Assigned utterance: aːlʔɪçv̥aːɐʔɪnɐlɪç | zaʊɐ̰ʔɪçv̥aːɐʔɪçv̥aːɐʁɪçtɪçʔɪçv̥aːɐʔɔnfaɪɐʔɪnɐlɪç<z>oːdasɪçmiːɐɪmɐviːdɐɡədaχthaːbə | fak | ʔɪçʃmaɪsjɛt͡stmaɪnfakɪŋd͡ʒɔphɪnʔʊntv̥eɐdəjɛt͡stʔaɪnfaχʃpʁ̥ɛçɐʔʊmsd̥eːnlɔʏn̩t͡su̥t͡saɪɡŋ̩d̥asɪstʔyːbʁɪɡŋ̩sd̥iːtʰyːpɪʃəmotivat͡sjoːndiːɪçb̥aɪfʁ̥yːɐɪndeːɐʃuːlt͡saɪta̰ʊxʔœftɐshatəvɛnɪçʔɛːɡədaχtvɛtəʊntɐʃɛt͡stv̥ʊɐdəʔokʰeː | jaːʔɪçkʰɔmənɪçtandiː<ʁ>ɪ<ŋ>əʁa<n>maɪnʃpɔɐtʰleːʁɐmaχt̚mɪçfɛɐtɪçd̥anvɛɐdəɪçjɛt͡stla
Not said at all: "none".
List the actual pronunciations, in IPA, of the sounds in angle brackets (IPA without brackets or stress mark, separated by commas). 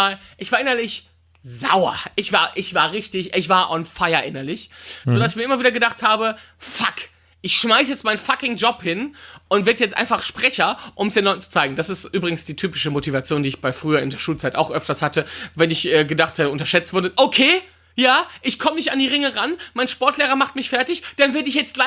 z, ʁ, ŋ, n